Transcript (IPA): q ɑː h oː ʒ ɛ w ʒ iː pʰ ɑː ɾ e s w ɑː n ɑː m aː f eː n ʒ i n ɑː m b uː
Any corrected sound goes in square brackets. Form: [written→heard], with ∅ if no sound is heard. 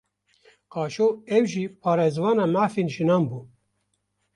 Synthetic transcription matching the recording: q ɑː [h→ʃ] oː [ʒ→∅] ɛ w ʒ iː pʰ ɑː ɾ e [s→z] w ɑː n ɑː m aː f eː n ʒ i n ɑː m b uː